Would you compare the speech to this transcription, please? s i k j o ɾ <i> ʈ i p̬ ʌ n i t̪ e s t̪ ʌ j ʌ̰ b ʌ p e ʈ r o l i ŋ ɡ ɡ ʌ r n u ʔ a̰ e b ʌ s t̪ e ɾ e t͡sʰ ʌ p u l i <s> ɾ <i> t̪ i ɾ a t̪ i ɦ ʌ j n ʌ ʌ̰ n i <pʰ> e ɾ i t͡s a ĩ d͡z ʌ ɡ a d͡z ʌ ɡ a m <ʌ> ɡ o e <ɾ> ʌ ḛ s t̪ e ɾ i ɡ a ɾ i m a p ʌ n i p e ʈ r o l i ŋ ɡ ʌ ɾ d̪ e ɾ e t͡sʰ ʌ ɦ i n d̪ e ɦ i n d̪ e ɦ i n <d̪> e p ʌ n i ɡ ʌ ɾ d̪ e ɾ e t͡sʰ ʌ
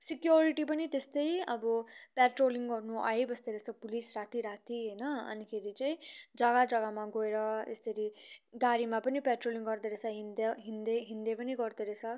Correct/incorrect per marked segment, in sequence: correct, correct, incorrect: a, incorrect: kʰ, incorrect: a, correct, correct

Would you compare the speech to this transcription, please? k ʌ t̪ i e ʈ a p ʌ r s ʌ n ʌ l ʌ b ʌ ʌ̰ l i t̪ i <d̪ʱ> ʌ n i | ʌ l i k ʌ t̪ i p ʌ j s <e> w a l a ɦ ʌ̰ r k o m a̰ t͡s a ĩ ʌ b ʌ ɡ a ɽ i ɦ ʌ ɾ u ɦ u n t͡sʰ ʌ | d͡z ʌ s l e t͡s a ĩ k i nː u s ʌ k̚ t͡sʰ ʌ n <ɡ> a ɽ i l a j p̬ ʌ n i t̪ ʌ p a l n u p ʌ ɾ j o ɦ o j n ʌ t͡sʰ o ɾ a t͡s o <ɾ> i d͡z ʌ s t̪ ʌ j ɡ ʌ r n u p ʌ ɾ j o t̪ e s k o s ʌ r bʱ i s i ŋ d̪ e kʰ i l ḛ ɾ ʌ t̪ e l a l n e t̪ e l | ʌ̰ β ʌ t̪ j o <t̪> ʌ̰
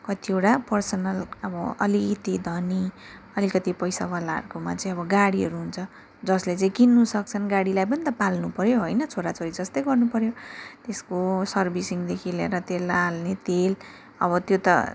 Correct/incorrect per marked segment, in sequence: correct, incorrect: a, correct, correct, correct

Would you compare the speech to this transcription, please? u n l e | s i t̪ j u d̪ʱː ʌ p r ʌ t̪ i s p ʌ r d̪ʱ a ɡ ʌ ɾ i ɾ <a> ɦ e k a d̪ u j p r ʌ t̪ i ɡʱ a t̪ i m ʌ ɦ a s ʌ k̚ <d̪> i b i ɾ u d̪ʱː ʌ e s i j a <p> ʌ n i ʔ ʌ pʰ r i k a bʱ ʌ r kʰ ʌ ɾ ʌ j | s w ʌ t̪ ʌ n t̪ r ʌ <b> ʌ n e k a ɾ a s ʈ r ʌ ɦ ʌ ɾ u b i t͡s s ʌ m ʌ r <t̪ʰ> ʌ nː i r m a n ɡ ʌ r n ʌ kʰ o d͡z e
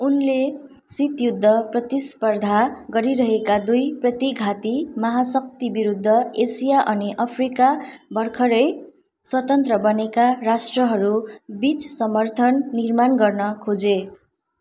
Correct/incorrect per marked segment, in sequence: incorrect: ʌ, incorrect: t̪, incorrect: ʔ, correct, correct

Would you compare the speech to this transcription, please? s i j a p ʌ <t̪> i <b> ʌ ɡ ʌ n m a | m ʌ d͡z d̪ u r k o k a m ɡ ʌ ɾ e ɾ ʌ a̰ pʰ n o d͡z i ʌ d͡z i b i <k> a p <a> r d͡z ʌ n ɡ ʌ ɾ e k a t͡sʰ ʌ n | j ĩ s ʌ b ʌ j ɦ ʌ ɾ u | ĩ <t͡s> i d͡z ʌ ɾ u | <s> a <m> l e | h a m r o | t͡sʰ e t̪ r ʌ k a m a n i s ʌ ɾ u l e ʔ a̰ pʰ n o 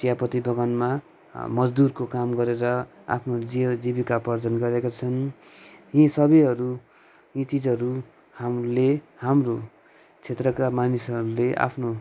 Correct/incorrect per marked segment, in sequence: correct, correct, correct, incorrect: ʌ, correct, incorrect: h, correct

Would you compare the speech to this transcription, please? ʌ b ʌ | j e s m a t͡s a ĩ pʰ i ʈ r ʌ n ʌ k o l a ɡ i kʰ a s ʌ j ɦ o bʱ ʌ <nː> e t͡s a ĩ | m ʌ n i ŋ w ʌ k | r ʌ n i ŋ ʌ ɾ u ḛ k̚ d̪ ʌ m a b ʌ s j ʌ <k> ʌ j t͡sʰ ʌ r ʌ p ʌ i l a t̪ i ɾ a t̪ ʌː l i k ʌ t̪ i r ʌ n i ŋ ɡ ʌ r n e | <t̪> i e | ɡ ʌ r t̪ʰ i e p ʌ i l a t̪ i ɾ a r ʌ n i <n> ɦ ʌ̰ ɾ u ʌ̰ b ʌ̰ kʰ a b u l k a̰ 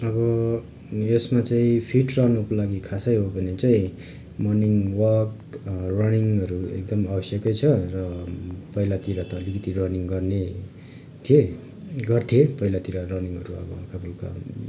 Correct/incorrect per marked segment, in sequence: incorrect: n, correct, incorrect: t̪ʰ, incorrect: ŋ

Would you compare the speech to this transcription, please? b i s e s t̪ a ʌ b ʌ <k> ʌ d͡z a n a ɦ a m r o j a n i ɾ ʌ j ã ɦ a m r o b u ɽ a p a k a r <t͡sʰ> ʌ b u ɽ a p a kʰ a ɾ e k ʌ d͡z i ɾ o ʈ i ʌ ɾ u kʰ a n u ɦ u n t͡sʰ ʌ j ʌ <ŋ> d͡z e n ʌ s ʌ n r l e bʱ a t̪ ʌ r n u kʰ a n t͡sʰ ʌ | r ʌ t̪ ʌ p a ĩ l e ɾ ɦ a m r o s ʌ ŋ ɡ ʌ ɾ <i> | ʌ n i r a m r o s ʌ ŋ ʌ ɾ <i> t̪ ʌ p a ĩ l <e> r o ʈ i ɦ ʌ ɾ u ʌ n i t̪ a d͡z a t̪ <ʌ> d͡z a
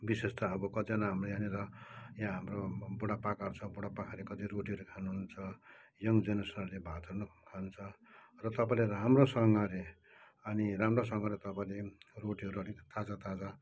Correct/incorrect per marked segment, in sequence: correct, correct, correct, incorrect: e, incorrect: e, correct, incorrect: a

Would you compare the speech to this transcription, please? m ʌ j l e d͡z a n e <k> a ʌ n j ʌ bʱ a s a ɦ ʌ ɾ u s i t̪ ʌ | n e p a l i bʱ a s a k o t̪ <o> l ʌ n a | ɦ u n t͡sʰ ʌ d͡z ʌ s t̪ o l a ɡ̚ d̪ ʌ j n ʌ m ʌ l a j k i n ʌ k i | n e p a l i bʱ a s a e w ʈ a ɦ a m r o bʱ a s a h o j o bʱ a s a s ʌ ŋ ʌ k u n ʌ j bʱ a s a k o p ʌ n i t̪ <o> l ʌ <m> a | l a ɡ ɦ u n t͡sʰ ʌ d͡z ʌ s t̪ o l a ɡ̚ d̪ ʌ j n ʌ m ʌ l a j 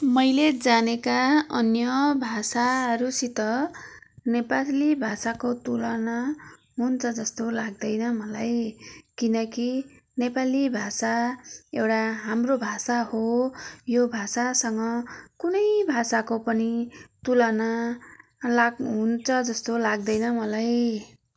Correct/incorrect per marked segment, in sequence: correct, incorrect: u, incorrect: u, incorrect: n

